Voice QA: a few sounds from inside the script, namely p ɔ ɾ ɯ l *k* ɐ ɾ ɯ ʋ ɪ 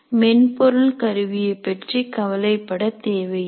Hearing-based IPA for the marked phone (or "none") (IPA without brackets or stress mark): k